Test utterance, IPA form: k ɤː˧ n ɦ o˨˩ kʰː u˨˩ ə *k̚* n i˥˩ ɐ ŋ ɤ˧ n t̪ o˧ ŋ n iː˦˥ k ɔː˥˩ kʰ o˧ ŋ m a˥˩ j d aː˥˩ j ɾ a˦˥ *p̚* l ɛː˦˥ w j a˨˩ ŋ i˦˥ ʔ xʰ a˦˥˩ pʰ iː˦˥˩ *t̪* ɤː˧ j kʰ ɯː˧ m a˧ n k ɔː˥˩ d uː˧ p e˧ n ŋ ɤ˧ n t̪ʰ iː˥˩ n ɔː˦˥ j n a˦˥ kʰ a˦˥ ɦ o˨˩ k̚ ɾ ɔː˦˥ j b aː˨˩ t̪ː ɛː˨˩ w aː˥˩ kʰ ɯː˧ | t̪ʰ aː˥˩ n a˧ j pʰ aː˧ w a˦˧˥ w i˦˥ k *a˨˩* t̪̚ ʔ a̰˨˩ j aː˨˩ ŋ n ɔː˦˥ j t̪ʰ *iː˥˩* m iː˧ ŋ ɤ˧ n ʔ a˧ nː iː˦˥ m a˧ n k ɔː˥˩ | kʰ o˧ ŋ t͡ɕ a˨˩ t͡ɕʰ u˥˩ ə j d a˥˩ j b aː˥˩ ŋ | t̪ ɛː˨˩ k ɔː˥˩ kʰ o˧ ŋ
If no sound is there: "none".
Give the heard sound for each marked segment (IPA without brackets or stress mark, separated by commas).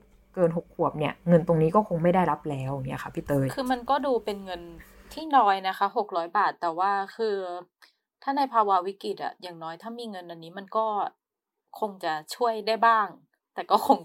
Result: p̚, p̚, t̪, i˨˩, aː˥˩